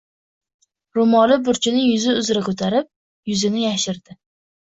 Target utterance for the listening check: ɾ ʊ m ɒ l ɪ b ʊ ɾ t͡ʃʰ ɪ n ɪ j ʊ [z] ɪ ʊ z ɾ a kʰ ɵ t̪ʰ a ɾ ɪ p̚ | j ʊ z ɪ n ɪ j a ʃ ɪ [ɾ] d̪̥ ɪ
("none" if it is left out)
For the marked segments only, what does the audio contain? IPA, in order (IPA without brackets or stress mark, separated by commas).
z, ɾ